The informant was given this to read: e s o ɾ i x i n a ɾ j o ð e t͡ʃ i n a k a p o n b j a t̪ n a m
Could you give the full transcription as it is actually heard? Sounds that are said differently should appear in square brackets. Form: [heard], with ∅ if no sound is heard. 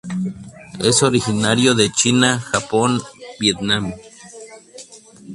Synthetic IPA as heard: e s o ɾ i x i n a ɾ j o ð e t͡ʃ i n a [x] a p o n b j [e] t̪ n a m